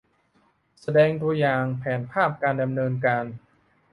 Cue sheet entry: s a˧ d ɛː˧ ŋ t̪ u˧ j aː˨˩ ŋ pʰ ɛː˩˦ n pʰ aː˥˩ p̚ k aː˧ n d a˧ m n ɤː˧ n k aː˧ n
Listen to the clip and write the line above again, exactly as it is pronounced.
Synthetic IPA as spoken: s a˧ d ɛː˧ ŋ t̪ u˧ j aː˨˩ ŋ pʰ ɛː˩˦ n pʰ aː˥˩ p̚ k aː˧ n d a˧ m n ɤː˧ n k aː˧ n